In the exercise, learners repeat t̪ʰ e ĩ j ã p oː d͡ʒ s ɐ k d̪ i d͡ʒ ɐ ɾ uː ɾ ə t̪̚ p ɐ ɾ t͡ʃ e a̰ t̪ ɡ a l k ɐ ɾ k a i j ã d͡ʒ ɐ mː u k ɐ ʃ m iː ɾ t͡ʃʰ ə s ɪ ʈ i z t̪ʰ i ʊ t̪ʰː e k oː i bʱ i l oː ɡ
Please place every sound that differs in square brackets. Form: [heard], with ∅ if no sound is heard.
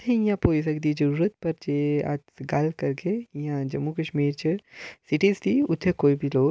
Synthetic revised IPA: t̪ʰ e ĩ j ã p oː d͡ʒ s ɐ k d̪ i d͡ʒ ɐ ɾ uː ɾ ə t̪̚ p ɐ ɾ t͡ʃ e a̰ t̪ ɡ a l k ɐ ɾ k [e] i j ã d͡ʒ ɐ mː u k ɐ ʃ m iː ɾ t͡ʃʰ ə s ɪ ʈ i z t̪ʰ i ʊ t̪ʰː e k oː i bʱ i l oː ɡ